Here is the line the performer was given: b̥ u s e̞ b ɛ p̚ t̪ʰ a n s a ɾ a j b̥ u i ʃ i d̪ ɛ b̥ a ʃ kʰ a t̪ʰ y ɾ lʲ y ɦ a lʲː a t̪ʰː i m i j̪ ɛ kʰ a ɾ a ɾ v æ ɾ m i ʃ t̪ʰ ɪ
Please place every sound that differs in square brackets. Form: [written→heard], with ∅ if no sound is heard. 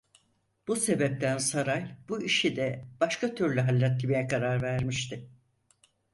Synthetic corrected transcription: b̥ u s e̞ b ɛ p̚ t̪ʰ [a→æ] n s a ɾ a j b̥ u i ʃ i d̪ ɛ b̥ a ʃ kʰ a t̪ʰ y ɾ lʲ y ɦ a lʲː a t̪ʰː i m i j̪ ɛ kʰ a ɾ a ɾ v æ ɾ m i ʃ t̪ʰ ɪ